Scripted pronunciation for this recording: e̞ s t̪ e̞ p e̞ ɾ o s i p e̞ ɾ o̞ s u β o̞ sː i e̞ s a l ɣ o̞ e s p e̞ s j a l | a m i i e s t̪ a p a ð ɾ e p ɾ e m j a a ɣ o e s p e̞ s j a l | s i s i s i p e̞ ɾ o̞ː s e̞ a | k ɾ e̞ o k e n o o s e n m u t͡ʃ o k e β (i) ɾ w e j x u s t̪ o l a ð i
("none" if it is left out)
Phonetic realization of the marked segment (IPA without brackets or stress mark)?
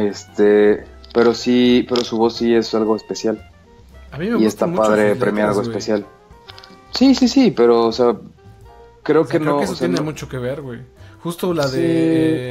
e